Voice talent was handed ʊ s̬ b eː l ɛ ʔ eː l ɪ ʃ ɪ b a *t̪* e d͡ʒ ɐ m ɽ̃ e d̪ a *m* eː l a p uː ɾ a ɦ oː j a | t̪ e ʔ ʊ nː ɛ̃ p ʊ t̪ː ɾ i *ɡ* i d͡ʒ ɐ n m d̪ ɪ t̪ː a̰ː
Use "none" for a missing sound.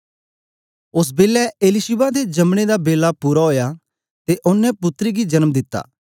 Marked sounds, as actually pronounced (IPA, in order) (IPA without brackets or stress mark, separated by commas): d̪, b, ɡ